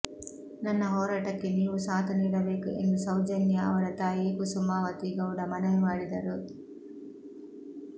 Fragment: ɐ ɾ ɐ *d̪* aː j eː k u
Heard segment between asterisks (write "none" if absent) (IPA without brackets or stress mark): t̪